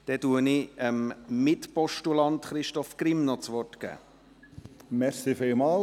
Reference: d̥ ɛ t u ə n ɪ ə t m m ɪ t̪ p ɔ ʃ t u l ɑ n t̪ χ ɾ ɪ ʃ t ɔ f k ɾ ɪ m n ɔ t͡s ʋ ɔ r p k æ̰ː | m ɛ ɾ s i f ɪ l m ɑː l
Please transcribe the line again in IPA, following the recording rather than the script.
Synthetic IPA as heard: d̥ ɛ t u ə n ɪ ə m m ɪ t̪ p ɔ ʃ t u l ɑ n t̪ χ ɾ ɪ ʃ t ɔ f k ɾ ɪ m n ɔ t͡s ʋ ɔ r t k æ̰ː | m ɛ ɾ s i f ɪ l m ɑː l